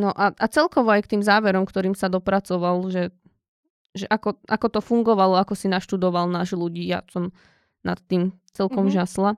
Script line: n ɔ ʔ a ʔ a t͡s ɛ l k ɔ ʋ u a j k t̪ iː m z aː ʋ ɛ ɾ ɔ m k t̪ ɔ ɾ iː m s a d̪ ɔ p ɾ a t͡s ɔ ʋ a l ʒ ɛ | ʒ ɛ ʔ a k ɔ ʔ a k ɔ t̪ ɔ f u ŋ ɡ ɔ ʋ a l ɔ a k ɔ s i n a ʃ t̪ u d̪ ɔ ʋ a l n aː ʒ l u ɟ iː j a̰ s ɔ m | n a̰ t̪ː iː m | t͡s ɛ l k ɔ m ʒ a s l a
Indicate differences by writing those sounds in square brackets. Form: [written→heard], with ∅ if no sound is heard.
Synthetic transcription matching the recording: n ɔ ʔ a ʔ a t͡s ɛ l k ɔ ʋ [u→ɔ] a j k t̪ iː m z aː ʋ ɛ ɾ ɔ m k t̪ ɔ ɾ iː m s a d̪ ɔ p ɾ a t͡s ɔ ʋ a l ʒ ɛ | ʒ ɛ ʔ a k ɔ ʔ a k ɔ t̪ ɔ f u ŋ ɡ ɔ ʋ a l ɔ a k ɔ s i n a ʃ t̪ u d̪ ɔ ʋ a l n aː ʒ l u ɟ iː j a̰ s ɔ m | n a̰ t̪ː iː m | t͡s ɛ l k ɔ m ʒ a s l a